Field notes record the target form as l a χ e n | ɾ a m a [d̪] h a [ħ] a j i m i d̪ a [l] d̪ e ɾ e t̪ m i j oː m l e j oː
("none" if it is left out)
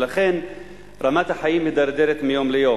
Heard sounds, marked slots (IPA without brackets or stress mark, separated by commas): t̪, ħ, ɾ